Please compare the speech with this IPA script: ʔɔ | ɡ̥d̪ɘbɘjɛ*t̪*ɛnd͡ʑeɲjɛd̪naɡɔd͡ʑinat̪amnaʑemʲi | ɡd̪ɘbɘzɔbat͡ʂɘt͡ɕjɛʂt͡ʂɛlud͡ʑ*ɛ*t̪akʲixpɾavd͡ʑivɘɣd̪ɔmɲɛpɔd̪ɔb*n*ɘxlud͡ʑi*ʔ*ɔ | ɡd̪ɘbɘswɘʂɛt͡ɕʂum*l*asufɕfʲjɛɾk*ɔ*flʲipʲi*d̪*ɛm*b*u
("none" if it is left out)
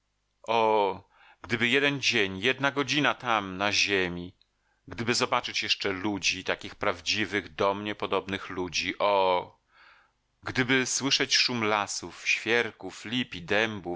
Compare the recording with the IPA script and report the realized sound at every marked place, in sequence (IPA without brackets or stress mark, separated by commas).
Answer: d̪, i, n, ʔ, l, u, d̪, b